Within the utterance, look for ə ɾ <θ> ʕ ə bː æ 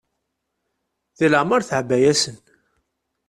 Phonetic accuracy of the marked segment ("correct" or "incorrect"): correct